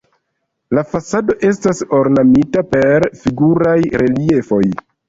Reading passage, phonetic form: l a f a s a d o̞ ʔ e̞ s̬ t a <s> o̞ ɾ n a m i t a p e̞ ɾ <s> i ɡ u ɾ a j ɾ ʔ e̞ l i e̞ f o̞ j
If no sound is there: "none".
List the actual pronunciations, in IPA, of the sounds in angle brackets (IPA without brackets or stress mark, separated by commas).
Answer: s, f